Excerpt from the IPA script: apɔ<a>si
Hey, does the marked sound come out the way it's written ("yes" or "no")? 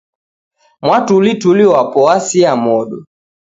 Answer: yes